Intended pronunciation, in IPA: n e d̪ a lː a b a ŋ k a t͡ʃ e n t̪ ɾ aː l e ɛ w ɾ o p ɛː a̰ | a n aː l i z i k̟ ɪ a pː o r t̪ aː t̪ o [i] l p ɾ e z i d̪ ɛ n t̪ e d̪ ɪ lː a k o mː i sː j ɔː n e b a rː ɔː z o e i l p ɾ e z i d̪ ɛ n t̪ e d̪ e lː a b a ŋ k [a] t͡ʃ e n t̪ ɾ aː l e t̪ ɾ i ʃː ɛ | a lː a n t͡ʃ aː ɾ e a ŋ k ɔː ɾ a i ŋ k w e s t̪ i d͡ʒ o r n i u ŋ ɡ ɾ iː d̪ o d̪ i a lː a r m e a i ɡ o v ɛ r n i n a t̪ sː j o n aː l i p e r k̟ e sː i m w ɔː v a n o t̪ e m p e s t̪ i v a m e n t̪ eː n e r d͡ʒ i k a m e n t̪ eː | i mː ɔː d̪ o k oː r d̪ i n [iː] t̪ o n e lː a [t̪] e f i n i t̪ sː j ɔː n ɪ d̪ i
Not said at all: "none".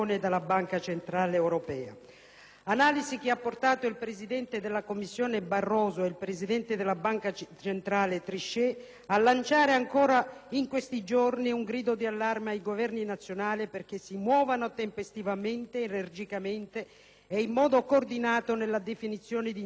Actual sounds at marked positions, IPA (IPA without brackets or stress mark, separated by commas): i, a, aː, d̪